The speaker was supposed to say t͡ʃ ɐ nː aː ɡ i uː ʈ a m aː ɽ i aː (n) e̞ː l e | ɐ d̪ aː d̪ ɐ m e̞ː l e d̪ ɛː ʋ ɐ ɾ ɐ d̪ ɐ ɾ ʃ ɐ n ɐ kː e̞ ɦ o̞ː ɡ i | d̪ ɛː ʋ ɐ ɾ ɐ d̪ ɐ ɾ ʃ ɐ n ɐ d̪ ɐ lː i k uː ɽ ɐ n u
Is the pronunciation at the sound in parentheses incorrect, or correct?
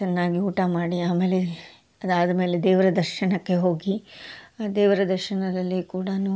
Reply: incorrect